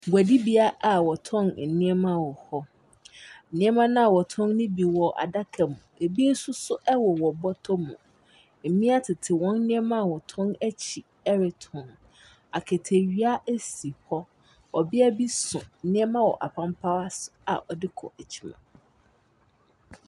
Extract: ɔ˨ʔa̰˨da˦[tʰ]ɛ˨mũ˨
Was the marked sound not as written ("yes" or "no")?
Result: yes